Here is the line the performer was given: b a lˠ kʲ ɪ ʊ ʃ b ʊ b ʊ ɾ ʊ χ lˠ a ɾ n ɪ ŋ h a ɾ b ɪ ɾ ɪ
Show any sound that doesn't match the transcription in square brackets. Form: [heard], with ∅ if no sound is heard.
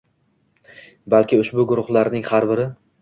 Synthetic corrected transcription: b a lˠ kʲ ɪ ʊ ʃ b ʊ [ɡ] ʊ ɾ ʊ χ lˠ a ɾ n ɪ ŋ h a ɾ b ɪ ɾ ɪ